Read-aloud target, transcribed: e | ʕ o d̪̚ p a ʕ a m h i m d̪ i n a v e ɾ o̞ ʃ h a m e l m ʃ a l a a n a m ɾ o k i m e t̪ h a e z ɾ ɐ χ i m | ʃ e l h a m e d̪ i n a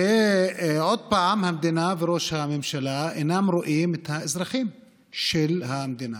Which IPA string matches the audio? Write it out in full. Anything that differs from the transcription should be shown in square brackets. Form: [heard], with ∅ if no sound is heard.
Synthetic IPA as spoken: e | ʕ o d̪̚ p a ʕ a m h [a] m d̪ i n a v e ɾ o̞ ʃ h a m e [∅] m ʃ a l a [e] n a m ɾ o [ʔ] i m e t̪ h a e z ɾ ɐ χ i m | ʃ e l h a m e d̪ i n a